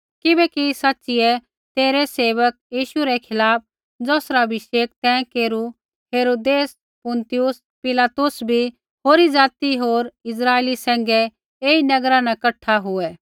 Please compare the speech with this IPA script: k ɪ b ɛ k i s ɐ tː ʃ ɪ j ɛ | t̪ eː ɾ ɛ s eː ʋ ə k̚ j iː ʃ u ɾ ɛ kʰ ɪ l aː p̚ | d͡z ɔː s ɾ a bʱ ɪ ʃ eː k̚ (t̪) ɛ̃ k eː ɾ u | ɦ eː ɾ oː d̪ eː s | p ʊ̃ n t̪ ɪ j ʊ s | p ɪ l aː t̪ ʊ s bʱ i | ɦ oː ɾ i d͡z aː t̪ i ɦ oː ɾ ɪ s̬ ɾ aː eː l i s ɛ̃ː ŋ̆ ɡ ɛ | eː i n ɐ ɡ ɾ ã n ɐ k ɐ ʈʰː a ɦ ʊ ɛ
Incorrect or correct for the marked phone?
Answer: correct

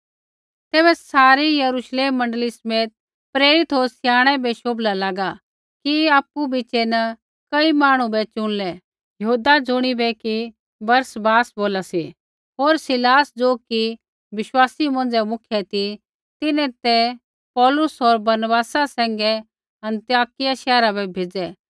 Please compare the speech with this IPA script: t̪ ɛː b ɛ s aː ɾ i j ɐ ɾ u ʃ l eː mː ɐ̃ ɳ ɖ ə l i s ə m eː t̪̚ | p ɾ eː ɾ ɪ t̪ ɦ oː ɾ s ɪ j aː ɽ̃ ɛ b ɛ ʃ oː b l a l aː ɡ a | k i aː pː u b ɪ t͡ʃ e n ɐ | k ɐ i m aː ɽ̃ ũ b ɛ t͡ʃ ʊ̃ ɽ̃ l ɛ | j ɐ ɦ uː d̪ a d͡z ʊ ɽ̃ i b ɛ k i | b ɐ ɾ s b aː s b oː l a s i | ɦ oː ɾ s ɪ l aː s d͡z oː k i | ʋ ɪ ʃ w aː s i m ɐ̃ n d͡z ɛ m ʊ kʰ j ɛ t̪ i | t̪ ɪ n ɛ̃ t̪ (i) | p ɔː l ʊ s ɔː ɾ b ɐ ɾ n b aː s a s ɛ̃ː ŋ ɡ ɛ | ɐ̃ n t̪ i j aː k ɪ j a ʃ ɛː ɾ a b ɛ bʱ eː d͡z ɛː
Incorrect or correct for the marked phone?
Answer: incorrect: ɛ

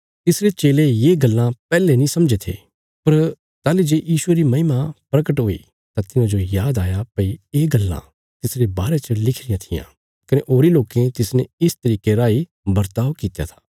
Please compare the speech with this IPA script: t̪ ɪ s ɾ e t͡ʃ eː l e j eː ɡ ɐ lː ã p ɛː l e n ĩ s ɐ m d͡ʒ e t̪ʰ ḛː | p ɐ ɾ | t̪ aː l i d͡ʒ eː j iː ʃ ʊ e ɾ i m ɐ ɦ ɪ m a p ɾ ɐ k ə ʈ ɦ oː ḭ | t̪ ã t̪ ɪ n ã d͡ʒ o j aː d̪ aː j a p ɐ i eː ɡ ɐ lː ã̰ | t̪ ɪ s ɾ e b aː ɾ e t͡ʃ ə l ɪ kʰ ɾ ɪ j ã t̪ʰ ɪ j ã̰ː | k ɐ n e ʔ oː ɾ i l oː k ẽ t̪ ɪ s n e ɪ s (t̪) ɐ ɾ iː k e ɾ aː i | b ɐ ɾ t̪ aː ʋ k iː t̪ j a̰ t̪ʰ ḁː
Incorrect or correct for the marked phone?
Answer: correct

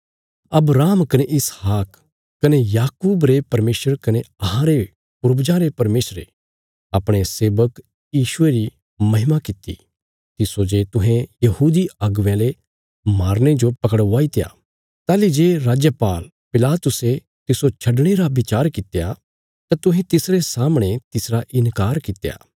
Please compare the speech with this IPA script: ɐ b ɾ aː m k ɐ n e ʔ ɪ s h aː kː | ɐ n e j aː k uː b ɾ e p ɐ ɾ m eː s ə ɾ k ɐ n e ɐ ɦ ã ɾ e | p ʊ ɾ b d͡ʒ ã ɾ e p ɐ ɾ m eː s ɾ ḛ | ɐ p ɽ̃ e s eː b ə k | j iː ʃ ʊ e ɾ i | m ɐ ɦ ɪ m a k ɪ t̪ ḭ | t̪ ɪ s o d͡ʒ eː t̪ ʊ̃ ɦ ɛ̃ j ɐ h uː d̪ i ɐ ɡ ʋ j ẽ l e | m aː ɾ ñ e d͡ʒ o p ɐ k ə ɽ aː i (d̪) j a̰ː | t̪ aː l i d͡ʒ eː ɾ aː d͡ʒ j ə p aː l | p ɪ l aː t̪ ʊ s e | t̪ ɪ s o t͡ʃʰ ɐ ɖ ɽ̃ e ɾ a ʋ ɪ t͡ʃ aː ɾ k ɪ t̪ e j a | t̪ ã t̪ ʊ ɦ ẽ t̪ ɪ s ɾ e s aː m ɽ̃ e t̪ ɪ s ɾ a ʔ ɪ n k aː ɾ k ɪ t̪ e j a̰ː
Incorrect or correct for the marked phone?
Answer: incorrect: t̪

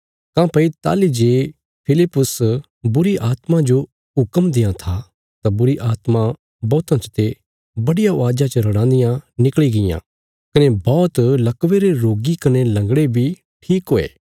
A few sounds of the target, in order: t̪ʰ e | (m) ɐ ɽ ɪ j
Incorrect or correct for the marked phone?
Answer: incorrect: b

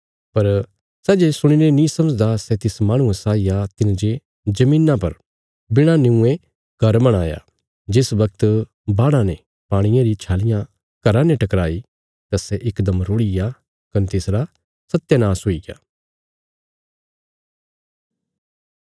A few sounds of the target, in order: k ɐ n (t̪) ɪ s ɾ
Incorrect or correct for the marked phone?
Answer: correct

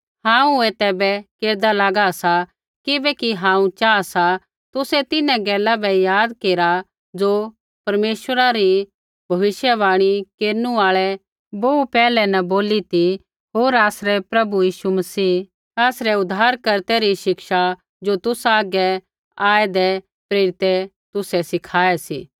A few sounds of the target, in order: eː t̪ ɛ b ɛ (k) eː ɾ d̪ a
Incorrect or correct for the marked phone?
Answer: correct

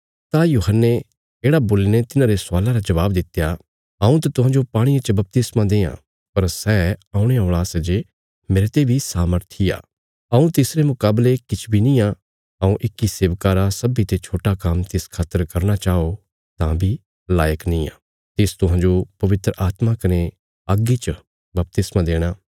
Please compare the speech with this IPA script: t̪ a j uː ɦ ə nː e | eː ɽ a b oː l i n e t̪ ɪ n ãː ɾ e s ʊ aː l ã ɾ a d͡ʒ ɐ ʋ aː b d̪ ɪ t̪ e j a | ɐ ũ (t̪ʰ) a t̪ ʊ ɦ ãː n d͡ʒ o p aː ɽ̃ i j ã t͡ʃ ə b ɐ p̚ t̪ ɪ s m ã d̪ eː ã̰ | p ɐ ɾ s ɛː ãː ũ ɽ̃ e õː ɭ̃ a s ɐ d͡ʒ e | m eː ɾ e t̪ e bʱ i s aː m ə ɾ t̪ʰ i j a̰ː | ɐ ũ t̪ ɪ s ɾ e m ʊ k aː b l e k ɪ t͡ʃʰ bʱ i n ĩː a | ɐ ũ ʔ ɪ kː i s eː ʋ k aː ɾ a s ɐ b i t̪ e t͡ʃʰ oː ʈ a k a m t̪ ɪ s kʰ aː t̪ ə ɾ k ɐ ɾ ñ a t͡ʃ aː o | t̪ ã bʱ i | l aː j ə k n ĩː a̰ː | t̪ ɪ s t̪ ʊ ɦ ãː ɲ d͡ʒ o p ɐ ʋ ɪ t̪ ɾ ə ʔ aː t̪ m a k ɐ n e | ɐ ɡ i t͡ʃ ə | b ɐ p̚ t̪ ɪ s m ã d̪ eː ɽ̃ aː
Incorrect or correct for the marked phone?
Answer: incorrect: t̪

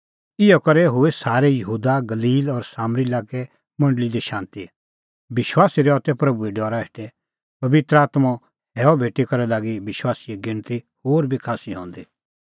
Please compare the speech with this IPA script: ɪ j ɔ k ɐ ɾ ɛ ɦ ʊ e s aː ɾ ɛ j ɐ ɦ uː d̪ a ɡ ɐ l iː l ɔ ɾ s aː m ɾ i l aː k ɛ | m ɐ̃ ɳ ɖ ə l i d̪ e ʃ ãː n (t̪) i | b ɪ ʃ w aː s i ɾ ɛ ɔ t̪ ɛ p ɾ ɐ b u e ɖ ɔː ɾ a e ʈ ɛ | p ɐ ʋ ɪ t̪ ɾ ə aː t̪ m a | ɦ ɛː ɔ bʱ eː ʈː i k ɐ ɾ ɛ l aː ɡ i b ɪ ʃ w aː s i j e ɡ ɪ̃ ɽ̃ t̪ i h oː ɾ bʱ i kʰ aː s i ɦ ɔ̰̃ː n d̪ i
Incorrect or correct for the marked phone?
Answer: correct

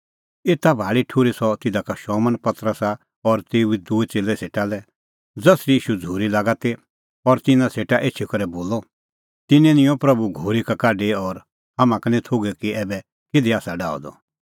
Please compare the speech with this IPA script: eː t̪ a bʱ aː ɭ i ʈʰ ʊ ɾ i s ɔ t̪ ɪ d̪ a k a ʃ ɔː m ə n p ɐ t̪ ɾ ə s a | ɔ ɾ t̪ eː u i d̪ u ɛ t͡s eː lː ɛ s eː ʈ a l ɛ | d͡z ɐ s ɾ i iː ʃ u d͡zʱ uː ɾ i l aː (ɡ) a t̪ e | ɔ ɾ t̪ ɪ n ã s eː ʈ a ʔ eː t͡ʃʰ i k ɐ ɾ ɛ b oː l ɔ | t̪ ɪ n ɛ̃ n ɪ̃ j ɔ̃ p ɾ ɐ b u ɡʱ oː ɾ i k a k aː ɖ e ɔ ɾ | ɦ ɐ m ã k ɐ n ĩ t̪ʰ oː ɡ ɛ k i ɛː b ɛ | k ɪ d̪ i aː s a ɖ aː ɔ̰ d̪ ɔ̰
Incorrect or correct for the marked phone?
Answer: correct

